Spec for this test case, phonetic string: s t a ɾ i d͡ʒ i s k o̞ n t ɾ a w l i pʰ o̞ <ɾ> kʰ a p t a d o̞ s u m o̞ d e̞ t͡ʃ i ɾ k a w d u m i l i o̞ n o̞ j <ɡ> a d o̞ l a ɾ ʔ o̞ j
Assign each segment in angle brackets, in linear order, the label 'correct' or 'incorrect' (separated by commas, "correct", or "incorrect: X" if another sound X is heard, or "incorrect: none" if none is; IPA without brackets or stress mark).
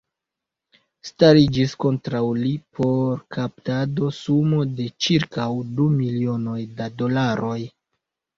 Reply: correct, incorrect: d